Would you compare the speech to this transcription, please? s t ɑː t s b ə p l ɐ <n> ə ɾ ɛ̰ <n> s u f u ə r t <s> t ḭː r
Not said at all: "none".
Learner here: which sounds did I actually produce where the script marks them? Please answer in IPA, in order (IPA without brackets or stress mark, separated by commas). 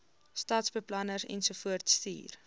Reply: n, n, s